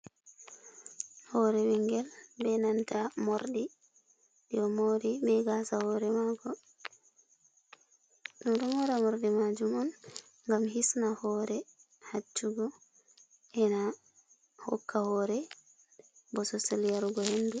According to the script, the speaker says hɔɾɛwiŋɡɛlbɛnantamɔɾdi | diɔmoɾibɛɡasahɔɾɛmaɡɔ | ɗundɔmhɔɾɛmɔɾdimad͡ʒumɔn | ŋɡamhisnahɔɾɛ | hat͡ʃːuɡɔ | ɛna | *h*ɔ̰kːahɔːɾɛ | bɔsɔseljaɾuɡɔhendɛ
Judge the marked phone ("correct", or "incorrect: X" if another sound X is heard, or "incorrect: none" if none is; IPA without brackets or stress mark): correct